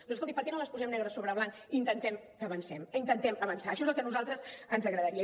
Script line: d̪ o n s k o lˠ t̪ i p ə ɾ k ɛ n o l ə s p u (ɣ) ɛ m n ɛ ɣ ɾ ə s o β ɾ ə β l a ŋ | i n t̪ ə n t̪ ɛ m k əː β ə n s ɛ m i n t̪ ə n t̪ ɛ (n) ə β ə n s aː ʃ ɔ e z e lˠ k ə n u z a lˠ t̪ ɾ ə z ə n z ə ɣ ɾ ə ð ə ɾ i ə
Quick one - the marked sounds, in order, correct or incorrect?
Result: incorrect, incorrect

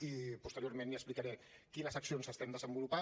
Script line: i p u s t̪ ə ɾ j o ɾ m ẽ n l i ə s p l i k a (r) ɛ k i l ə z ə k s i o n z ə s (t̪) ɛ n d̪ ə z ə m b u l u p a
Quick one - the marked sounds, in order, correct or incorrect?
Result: incorrect, correct

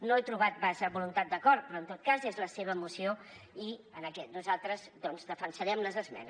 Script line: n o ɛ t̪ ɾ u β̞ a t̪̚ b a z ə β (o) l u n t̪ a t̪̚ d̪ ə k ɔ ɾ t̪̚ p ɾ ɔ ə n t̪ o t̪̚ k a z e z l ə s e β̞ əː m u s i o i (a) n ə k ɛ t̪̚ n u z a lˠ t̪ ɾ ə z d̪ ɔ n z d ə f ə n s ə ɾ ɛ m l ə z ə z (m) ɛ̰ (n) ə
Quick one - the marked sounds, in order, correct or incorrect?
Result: incorrect, incorrect, correct, correct

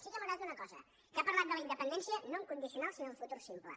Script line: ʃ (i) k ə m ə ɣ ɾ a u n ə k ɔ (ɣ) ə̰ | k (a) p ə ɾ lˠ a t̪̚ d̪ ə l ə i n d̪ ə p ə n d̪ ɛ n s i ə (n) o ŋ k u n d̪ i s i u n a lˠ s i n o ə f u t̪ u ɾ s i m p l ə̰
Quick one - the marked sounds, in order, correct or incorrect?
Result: correct, incorrect, correct, correct

